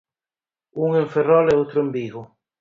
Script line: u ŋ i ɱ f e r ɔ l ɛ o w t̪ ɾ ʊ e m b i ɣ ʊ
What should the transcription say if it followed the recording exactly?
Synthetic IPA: u ŋ e ɱ f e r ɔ l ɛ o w t̪ ɾ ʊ e m b i ɣ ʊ